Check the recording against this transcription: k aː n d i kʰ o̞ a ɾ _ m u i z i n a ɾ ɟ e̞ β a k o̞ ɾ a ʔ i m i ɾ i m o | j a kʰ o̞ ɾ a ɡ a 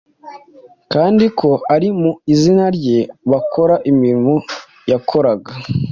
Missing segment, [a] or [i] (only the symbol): i